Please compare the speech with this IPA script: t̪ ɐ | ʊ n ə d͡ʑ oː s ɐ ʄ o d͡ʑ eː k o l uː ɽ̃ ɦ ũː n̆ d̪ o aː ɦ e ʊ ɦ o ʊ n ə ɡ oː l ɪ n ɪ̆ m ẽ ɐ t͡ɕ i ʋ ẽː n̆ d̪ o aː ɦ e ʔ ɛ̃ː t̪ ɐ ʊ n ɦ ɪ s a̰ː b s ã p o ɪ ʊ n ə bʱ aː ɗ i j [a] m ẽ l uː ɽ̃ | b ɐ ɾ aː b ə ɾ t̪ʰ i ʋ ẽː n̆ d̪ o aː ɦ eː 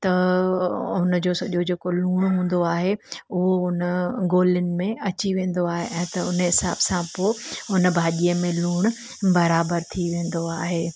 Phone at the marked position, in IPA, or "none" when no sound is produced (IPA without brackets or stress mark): ə